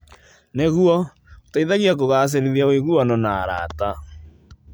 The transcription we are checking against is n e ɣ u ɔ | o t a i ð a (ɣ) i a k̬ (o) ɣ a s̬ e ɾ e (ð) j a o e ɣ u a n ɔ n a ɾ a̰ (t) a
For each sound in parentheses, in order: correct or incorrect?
correct, correct, correct, correct

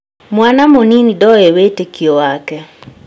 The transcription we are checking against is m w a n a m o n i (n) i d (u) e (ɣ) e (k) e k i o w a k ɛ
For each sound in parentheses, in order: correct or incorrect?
correct, incorrect, incorrect, incorrect

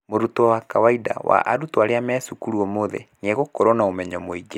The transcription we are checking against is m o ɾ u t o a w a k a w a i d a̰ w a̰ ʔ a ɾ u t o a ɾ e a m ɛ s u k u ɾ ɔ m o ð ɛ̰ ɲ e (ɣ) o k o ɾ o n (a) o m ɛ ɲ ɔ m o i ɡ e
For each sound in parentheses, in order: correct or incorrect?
correct, correct

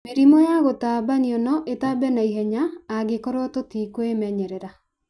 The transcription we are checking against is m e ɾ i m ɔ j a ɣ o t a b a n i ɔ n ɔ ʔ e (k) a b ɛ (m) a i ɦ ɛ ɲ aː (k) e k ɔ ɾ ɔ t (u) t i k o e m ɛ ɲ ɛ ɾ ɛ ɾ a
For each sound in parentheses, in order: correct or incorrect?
incorrect, incorrect, incorrect, incorrect

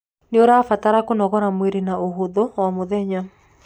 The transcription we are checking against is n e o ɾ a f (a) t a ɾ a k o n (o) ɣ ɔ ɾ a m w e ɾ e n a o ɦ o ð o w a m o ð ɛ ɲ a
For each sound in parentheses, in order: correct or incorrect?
correct, incorrect

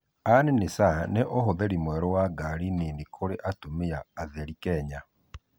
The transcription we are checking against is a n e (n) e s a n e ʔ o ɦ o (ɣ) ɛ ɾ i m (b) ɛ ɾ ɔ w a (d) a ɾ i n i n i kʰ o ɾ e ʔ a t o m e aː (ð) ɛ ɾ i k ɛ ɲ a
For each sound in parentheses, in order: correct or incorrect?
correct, incorrect, incorrect, incorrect, correct

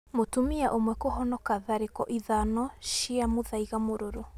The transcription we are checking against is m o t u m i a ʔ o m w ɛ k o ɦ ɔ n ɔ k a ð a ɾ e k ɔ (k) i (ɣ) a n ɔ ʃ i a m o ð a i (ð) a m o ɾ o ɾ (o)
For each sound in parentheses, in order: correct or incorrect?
incorrect, incorrect, incorrect, correct

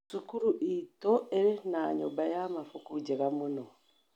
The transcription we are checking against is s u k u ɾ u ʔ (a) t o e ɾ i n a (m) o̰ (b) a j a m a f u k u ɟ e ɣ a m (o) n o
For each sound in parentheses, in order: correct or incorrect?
incorrect, incorrect, correct, incorrect

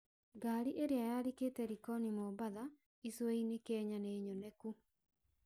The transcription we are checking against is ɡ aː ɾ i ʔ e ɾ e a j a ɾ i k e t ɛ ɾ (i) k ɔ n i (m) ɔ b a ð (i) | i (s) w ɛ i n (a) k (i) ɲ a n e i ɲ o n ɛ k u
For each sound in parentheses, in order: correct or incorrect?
correct, correct, incorrect, correct, incorrect, incorrect

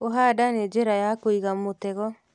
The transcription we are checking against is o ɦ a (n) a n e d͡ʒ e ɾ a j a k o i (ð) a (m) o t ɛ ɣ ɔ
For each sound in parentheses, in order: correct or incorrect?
incorrect, incorrect, correct

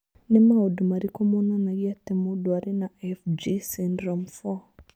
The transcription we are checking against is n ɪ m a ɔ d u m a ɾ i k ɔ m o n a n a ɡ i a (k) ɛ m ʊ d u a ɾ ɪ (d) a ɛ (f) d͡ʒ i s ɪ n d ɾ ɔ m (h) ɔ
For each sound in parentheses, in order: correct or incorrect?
incorrect, incorrect, correct, incorrect

